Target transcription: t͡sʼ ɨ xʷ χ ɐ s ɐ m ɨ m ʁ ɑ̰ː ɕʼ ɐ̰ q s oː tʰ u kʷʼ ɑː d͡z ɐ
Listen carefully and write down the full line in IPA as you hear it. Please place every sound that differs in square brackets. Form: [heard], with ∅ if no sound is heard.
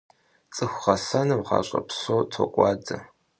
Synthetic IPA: t͡sʼ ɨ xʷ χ ɐ s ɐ [n] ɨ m ʁ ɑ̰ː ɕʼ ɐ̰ [p] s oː tʰ [o] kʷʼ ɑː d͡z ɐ